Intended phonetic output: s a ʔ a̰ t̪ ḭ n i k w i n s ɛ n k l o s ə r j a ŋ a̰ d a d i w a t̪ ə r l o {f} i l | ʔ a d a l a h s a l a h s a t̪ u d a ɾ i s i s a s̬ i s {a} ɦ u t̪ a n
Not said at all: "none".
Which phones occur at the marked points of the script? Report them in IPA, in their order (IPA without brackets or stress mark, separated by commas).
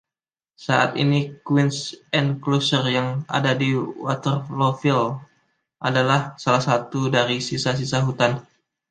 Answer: f, a